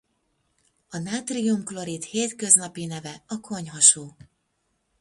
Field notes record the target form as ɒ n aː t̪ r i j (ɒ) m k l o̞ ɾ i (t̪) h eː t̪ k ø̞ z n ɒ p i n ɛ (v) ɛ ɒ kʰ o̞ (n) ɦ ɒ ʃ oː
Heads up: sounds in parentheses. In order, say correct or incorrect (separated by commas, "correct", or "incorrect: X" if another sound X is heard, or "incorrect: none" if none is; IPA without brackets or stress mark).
incorrect: u, correct, correct, incorrect: ɲ